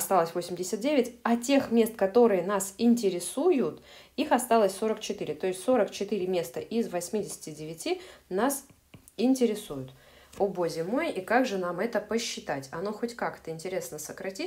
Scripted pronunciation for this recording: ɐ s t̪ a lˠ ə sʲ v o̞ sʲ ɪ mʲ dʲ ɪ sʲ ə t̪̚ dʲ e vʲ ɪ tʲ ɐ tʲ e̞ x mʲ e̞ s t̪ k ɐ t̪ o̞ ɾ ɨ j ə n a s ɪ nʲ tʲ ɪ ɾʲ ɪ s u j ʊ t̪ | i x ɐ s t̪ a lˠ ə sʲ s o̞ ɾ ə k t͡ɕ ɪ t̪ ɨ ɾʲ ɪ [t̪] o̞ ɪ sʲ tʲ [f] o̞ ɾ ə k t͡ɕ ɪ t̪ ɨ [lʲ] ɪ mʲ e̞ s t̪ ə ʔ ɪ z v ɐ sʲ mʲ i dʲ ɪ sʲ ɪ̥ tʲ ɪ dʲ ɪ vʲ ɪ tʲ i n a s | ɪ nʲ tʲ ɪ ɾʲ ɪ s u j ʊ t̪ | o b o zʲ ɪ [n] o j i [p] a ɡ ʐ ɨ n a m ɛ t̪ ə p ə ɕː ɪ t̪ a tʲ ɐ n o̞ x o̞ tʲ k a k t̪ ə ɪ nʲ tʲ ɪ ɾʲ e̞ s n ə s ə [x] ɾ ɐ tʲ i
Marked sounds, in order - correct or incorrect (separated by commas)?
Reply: correct, incorrect, incorrect, incorrect, incorrect, incorrect